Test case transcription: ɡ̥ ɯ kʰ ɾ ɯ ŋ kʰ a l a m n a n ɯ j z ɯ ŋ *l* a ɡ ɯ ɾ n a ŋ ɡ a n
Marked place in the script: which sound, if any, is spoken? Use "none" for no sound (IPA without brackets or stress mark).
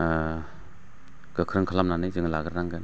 l